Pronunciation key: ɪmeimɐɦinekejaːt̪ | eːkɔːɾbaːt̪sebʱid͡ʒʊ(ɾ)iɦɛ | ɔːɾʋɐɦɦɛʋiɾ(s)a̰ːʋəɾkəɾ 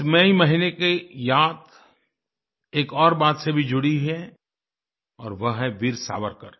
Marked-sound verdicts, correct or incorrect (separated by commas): incorrect, correct